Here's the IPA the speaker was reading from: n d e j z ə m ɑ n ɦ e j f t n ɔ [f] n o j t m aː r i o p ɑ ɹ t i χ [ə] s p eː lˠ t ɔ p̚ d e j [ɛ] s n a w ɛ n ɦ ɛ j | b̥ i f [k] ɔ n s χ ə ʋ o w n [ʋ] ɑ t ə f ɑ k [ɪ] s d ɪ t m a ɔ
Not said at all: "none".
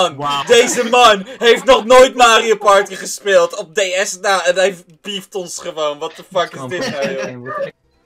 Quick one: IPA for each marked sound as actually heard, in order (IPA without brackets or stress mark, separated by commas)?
χ, ə, ɛ, t, ʋ, ɪ